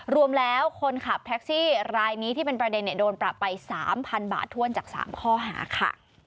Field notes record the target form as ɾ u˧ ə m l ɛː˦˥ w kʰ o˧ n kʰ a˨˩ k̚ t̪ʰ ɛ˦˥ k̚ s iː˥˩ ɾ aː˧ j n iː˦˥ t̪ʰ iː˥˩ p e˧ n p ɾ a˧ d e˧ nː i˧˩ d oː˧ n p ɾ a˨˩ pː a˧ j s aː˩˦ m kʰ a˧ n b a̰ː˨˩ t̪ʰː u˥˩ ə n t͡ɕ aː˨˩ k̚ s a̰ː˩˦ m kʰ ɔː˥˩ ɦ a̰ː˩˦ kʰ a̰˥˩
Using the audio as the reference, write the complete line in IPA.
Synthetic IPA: ɾ u˧ ə m l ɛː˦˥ w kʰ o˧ n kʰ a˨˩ p̚ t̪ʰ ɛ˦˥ k̚ s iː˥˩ ɾ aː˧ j n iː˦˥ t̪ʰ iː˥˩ p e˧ n p ɾ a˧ d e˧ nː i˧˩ d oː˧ n p ɾ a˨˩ pː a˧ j s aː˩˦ m pʰ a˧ n b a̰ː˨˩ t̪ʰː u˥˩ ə n t͡ɕ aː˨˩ k̚ s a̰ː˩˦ m kʰ ɔː˥˩ ɦ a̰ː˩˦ kʰ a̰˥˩